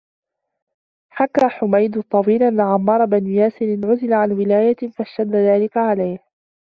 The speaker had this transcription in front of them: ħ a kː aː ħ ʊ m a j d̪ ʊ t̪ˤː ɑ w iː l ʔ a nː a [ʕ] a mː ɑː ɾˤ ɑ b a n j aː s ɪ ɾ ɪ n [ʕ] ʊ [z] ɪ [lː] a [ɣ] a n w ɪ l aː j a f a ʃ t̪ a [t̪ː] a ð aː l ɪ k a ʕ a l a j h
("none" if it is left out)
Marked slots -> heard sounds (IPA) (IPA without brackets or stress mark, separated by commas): ʕ, ʕ, z, l, ʕ, d̪ː